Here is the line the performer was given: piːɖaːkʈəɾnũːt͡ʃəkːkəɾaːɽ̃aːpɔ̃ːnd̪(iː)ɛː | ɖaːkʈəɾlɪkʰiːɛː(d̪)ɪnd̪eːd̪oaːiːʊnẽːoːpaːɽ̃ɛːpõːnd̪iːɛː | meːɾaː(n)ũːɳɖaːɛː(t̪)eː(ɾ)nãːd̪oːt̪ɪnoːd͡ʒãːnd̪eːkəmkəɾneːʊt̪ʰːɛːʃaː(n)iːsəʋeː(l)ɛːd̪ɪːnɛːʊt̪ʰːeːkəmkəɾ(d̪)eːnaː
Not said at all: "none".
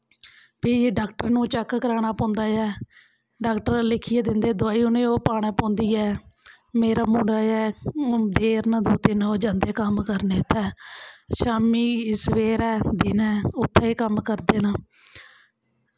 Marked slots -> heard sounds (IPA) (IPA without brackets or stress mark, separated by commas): aː, d̪, m, d̪, ɾ, m, ɾ, d̪